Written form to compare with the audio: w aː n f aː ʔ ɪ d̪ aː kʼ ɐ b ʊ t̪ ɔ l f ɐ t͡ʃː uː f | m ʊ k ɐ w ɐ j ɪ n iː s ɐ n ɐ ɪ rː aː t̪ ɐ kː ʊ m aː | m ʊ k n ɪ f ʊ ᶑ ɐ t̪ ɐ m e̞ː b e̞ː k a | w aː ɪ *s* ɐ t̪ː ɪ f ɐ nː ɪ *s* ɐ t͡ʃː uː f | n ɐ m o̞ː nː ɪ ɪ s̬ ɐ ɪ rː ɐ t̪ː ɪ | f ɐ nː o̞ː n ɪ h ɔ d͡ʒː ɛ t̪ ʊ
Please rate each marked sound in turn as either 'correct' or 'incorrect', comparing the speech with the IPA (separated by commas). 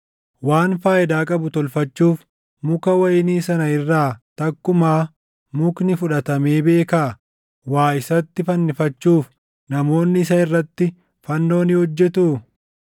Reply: correct, incorrect